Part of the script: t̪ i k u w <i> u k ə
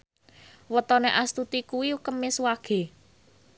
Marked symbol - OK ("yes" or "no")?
yes